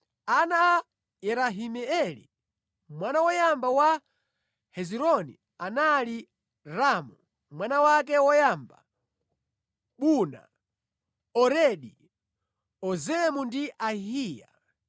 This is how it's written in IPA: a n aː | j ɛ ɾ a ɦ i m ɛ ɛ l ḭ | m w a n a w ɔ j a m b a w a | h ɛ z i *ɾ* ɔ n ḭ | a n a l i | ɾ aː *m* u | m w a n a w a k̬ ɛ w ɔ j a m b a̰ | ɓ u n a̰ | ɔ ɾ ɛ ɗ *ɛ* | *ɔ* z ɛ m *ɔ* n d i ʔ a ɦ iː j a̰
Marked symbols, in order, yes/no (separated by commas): yes, yes, no, yes, no